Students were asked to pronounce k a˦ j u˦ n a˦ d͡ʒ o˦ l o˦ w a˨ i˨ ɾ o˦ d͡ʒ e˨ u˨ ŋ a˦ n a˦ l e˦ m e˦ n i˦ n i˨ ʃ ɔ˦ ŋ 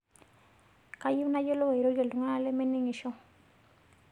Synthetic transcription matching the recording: k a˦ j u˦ n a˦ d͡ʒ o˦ l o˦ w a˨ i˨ ɾ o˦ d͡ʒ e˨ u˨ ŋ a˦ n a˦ l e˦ m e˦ n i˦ ŋ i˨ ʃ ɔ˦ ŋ